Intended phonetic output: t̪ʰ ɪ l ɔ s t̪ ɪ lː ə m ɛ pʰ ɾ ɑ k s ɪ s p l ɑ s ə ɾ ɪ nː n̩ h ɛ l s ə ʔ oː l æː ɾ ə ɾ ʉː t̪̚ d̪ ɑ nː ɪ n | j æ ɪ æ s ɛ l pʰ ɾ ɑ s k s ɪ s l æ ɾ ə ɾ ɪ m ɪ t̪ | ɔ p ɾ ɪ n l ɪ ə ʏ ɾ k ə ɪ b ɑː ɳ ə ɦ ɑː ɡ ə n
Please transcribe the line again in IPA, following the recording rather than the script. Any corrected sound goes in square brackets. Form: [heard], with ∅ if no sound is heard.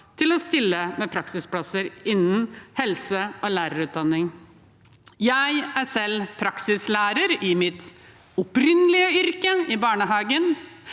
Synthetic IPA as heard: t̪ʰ ɪ l ɔ s t̪ ɪ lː ə m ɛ pʰ ɾ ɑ k s ɪ s p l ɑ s ə ɾ ɪ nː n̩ h ɛ l s ə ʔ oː l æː ɾ ə ɾ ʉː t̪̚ d̪ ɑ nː ɪ [ŋ] | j æ ɪ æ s ɛ l pʰ ɾ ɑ [∅] k s ɪ s l [æː] ɾ ə ɾ ɪ m ɪ t̪ | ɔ p ɾ ɪ n l ɪ ə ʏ ɾ k ə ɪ b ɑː ɳ ə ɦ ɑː ɡ ə n